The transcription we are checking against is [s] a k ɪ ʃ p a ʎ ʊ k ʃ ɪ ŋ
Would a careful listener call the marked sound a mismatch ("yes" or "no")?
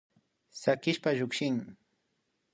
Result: no